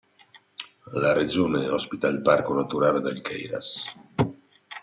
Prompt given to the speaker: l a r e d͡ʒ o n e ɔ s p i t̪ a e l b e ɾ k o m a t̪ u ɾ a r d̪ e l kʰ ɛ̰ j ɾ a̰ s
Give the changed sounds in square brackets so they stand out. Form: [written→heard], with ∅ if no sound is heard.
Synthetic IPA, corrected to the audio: l a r e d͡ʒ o n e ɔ s p i t̪ a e l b [e→a] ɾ k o [m→n] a t̪ u ɾ a [r→l] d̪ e l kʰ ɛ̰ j ɾ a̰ s